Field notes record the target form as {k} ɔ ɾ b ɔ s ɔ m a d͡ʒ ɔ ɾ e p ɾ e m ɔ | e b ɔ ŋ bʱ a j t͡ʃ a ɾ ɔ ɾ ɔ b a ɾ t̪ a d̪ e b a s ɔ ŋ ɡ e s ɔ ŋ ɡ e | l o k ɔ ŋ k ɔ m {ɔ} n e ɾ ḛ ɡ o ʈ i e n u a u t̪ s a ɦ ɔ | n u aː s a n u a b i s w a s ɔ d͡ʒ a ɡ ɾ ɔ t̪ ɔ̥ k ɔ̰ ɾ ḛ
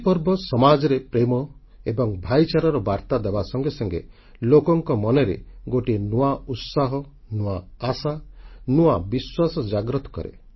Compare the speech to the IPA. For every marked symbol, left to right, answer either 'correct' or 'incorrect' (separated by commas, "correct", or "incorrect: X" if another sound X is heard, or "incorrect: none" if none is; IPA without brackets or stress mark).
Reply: incorrect: p, correct